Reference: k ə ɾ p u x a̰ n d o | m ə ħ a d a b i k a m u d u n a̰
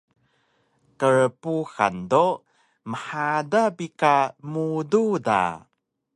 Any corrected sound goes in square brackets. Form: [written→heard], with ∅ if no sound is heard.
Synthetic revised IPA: k ə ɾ p u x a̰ n d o | m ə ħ a d a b i k a m u d u [n→d] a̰